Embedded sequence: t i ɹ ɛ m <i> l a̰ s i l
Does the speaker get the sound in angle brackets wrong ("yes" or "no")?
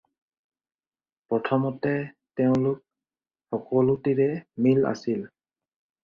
no